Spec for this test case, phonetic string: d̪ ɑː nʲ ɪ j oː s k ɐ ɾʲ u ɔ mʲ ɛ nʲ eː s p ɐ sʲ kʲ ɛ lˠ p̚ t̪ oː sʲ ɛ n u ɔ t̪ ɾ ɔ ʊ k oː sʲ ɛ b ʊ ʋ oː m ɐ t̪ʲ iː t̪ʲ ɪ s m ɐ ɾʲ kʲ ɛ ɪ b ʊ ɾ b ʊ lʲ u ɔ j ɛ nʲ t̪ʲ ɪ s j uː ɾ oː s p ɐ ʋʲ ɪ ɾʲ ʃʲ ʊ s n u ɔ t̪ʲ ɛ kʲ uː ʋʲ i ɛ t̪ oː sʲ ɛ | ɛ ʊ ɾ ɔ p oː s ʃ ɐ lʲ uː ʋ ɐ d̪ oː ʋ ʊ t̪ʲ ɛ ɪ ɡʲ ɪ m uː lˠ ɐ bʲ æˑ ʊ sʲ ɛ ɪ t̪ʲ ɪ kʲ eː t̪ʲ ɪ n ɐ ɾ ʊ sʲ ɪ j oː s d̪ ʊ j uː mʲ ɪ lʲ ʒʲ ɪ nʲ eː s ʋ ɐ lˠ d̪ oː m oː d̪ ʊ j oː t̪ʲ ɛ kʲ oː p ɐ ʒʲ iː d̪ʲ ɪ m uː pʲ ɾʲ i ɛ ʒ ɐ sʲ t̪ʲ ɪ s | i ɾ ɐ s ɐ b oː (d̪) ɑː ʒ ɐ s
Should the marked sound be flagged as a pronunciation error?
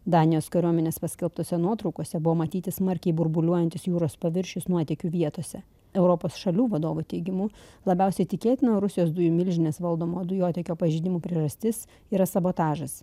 yes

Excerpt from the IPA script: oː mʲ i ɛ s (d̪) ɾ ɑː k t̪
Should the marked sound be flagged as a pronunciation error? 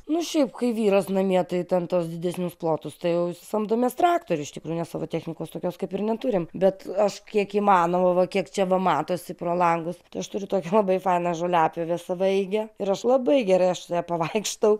yes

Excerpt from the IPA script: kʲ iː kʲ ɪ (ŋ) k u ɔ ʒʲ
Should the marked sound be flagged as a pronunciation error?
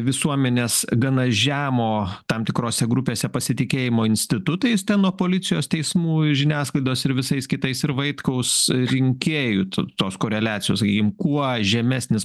yes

